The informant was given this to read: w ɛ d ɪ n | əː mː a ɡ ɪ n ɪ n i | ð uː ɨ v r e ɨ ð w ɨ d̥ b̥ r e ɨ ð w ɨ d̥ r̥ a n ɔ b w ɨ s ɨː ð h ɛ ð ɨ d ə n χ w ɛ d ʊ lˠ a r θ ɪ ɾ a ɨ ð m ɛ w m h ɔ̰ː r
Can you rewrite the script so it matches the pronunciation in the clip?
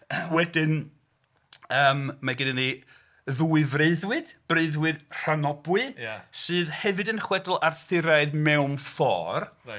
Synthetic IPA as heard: w ɛ d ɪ n | əː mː a ɡ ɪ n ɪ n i | ð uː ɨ v r e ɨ ð w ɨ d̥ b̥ r e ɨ ð w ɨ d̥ r̥ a n ɔ b w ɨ s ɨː ð h ɛ v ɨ d ə n χ w ɛ d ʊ lˠ a r θ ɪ ɾ a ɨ ð m ɛ w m f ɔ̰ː r